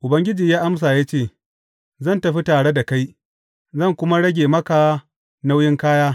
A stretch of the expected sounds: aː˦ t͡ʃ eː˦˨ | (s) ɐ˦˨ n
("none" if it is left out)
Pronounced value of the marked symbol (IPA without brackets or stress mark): z